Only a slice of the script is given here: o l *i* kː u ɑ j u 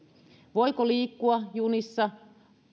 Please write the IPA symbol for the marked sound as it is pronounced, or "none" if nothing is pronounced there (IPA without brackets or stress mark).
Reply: iː